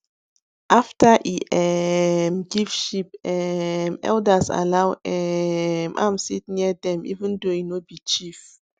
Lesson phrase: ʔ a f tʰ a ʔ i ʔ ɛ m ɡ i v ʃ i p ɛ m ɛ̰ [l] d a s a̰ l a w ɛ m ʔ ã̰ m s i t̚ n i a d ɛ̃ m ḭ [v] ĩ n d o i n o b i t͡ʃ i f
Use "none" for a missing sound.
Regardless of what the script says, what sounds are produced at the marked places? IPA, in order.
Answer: l, v

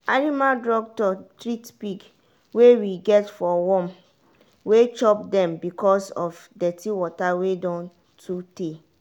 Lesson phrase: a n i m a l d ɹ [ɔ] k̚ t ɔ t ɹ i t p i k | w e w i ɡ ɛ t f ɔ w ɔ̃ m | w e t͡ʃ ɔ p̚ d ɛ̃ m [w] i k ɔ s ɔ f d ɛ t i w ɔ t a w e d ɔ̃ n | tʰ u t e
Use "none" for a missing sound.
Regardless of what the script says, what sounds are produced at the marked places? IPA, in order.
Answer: ɔ, b

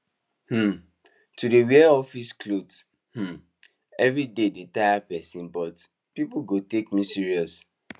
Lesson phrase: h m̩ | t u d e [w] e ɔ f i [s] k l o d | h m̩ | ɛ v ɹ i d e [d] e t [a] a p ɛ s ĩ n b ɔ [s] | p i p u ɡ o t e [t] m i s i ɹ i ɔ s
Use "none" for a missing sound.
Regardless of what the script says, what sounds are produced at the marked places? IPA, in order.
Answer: w, s, d, a, t, k

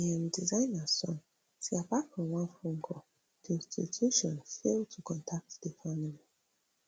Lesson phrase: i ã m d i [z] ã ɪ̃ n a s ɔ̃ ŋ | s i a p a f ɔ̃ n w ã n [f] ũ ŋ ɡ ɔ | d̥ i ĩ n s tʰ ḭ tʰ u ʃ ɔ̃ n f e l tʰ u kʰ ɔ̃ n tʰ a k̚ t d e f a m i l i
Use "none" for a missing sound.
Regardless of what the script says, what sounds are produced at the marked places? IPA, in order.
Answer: z, f

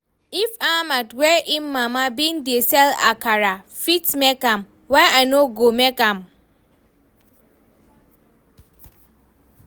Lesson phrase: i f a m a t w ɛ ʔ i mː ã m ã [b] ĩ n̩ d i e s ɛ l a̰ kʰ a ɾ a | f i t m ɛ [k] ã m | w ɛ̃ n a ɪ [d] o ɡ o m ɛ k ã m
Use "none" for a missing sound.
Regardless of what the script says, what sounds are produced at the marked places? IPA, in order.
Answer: b, k, n

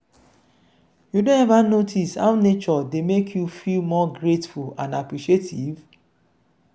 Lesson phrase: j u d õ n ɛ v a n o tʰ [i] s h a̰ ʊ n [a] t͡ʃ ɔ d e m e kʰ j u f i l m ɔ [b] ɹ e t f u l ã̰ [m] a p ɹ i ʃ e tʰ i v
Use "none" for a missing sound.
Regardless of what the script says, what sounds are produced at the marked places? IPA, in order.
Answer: i, e, ɡ, n

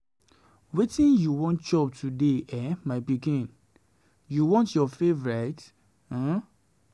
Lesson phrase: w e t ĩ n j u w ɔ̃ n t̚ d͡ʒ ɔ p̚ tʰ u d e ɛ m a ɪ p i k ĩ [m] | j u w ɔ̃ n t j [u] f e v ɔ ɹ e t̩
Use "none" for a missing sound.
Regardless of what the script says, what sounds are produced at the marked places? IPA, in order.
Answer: n, ɔ

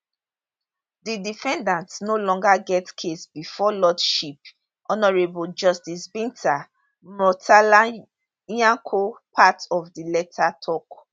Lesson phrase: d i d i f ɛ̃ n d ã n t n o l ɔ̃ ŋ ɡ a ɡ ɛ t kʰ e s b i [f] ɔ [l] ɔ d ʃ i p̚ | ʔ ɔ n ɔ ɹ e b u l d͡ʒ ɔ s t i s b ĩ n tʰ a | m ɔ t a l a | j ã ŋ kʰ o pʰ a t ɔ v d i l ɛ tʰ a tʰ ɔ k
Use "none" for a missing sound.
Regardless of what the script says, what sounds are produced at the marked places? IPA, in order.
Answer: f, l

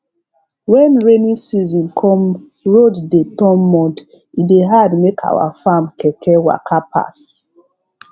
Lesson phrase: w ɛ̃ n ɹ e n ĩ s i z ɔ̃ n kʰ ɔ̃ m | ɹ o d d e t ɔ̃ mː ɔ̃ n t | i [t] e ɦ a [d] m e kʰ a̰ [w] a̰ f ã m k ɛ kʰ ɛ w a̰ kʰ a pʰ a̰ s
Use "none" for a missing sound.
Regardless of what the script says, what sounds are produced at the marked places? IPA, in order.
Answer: d, d, w

